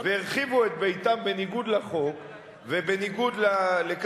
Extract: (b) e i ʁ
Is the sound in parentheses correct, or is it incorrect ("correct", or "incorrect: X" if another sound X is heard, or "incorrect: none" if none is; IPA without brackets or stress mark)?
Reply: incorrect: v